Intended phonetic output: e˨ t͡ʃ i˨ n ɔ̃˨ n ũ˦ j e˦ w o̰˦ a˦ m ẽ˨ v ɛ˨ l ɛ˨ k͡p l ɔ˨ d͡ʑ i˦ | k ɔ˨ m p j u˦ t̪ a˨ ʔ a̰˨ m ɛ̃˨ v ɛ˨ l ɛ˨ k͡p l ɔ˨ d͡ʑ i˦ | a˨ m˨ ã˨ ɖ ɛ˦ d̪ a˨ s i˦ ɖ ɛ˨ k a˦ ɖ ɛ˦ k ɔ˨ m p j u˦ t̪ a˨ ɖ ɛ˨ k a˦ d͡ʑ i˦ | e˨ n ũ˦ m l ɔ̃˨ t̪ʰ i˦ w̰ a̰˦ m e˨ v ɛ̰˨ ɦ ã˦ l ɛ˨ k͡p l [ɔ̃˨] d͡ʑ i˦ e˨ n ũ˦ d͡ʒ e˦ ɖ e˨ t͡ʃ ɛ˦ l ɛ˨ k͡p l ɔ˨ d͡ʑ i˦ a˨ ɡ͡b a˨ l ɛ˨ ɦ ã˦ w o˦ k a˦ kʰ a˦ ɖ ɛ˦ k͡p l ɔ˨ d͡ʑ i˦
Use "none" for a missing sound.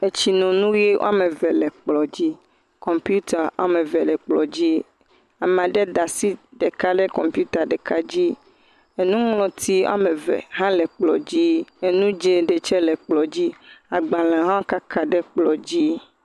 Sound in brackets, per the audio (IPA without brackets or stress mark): ɔ˨